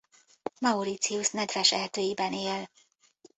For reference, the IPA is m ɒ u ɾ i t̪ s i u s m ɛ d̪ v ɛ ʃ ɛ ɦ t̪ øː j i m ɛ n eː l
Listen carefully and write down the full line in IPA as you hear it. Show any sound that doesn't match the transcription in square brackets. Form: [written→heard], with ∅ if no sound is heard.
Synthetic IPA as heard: m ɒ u ɾ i t̪ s i u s [m→n] ɛ d̪ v ɛ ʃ ɛ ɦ t̪ øː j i [m→b] ɛ n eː l